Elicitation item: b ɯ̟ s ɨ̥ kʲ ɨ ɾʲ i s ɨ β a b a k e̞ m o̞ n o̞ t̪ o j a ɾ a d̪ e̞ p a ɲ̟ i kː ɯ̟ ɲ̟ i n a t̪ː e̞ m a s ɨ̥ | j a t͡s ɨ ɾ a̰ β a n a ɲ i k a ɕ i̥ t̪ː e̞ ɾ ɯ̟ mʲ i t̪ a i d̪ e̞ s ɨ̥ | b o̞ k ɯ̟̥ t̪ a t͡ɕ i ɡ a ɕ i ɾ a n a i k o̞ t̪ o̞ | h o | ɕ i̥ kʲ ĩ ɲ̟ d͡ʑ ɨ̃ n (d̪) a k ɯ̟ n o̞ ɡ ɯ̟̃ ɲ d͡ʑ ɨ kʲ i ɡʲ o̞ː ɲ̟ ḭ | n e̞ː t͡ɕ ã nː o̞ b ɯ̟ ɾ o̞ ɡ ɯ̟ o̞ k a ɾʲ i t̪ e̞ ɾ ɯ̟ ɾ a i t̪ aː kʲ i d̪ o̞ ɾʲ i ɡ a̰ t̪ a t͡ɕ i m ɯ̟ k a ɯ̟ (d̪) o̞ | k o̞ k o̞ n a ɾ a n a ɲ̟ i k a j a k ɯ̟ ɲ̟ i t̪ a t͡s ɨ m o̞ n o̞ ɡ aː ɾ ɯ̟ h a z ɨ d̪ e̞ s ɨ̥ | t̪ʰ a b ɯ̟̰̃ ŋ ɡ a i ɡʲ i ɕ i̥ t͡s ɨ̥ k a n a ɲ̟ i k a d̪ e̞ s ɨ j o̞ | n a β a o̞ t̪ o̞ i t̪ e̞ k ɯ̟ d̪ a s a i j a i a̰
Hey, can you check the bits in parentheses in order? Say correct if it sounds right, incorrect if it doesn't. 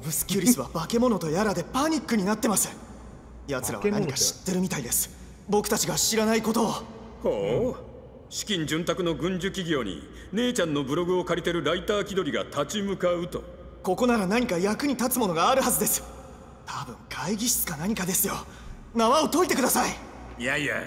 incorrect: t̪, incorrect: t̪

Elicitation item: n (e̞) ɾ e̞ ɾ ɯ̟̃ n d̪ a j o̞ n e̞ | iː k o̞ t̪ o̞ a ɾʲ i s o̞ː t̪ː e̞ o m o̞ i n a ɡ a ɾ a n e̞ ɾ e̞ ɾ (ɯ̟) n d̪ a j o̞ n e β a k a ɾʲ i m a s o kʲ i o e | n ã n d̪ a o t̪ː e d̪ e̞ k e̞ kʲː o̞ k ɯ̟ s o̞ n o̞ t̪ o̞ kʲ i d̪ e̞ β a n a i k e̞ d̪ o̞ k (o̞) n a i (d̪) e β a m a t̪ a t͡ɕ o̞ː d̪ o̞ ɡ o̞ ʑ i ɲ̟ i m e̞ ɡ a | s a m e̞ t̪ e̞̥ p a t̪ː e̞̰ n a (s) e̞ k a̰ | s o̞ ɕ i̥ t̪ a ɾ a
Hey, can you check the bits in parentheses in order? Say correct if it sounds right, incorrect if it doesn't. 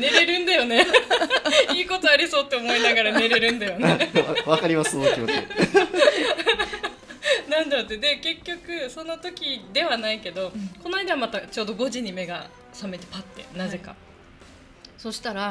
correct, incorrect: ɯ̟̃, correct, correct, incorrect: z

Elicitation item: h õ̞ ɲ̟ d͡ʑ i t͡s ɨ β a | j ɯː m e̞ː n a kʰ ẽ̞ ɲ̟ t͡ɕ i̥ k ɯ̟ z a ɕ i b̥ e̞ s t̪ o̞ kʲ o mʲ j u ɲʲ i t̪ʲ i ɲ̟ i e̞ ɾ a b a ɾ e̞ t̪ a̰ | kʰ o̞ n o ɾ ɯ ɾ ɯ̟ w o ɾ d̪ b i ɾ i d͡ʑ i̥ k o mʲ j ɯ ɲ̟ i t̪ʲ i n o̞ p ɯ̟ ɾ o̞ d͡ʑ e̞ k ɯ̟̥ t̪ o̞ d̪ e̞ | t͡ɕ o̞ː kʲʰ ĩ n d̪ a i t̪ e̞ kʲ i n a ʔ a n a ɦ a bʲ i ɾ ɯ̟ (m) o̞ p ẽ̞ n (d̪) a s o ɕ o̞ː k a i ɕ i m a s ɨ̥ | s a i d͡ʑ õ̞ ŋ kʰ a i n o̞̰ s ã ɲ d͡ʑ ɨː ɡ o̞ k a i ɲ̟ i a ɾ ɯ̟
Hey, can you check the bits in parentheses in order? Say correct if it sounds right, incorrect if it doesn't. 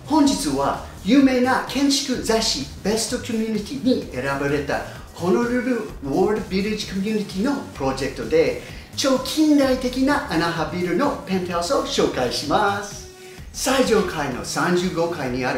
incorrect: n, incorrect: t̪

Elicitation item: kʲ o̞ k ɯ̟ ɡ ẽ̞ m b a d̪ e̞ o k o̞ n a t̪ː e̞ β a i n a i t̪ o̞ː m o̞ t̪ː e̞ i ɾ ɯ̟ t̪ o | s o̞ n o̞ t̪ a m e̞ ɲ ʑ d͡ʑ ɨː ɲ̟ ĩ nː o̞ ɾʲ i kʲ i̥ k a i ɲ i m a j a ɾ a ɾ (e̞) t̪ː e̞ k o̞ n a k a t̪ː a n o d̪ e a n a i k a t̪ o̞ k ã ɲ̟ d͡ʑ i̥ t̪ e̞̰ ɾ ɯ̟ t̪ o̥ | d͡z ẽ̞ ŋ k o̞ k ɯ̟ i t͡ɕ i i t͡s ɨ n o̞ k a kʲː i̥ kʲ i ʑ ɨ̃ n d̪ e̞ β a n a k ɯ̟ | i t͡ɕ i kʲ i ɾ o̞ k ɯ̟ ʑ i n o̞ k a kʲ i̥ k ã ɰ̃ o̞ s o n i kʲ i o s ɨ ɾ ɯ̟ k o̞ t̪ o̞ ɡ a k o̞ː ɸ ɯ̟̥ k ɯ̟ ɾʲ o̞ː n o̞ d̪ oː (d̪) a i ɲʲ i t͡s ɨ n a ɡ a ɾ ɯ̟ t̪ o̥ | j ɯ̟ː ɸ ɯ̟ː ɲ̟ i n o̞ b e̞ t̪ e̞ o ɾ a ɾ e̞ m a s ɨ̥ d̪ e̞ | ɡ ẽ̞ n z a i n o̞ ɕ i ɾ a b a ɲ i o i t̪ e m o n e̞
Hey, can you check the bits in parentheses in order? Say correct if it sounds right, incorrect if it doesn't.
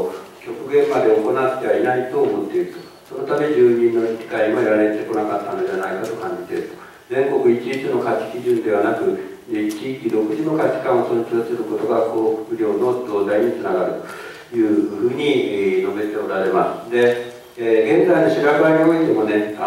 correct, correct

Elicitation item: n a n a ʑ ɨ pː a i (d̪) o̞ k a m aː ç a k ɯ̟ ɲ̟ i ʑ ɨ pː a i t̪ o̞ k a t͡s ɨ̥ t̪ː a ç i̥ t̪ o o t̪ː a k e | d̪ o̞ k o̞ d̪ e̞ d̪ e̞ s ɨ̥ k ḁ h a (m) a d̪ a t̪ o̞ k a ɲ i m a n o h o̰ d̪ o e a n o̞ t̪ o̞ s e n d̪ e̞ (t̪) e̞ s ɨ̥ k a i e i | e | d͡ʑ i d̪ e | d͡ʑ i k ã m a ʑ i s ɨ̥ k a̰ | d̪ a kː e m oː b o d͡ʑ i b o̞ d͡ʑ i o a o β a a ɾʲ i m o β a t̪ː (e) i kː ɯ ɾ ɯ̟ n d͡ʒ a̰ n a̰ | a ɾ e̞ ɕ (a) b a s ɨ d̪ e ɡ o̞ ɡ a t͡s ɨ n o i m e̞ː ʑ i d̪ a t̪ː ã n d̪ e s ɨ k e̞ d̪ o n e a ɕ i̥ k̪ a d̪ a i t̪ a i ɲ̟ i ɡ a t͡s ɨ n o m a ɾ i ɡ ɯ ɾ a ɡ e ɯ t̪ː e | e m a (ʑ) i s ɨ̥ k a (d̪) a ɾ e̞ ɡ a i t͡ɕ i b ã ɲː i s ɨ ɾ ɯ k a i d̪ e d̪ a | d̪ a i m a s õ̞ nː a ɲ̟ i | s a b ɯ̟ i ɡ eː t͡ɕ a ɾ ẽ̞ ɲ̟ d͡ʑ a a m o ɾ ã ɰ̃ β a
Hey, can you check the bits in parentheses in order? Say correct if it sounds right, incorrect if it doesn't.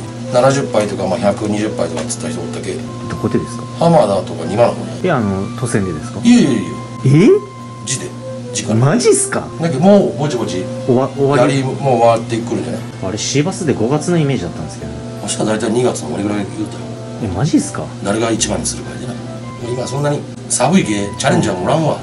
incorrect: t̪, correct, incorrect: d̪, correct, incorrect: i, correct, correct

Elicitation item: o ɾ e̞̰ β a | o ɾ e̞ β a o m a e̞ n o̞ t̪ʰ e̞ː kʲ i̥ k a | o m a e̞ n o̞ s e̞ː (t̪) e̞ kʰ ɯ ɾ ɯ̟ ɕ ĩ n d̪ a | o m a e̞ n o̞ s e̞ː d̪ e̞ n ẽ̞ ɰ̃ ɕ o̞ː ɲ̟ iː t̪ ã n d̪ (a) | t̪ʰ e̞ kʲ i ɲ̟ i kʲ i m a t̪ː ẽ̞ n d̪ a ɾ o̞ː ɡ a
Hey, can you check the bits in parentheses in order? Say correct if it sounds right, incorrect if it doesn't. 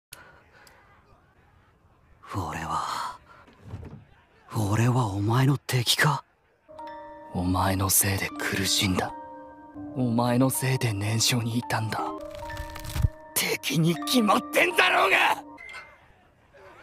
incorrect: d̪, correct

